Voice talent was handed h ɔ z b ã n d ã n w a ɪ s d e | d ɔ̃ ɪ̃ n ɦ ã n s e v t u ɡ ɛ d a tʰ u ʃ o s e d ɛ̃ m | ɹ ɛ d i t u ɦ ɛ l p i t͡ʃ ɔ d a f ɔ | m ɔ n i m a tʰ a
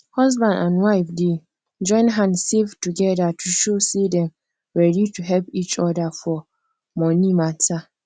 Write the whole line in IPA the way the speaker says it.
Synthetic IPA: h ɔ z b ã n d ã n w a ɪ f d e | d͡ʒ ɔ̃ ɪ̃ n ɦ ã n s e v t u ɡ ɛ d a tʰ u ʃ o s e d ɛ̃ m | ɹ ɛ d i t u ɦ ɛ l p i t͡ʃ ɔ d a f ɔ | m ɔ n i m a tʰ a